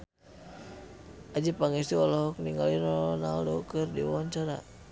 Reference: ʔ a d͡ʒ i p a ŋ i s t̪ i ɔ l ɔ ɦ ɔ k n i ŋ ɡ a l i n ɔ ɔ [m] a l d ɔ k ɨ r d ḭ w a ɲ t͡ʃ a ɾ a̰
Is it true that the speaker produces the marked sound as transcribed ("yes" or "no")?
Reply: no